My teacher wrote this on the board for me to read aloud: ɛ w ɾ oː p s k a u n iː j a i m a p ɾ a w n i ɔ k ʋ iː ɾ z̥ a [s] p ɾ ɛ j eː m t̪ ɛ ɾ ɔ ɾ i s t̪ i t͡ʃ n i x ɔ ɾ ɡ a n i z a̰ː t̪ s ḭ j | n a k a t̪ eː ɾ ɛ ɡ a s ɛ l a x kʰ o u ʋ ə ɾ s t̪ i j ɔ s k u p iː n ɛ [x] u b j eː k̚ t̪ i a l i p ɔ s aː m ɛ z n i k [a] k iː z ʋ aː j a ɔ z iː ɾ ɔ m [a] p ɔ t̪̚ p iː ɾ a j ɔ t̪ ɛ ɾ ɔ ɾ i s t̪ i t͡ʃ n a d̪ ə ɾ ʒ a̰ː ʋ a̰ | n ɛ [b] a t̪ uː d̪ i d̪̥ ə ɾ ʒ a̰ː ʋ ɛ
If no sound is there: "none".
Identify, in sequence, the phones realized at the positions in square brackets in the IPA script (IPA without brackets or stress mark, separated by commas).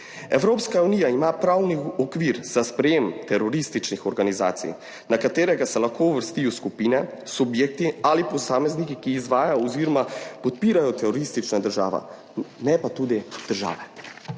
s, s, i, a, p